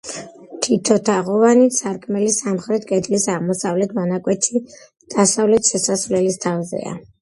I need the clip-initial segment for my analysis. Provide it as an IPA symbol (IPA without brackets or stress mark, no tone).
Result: t̪ʰ